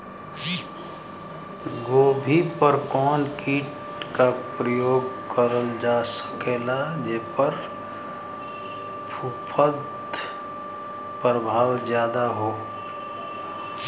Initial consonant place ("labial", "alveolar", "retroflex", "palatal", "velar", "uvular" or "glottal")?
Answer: velar